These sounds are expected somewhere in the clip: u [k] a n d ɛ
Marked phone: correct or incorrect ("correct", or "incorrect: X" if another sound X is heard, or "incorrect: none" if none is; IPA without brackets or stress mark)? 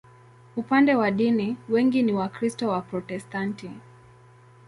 incorrect: p